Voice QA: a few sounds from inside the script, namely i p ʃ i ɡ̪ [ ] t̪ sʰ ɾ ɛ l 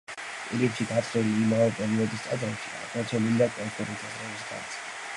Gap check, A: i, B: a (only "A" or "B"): B